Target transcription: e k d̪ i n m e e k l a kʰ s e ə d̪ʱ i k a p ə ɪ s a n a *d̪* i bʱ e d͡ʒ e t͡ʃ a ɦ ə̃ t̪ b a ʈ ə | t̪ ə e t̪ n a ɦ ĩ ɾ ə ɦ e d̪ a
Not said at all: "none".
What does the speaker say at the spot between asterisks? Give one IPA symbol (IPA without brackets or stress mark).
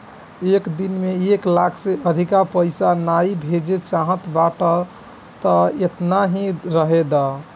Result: none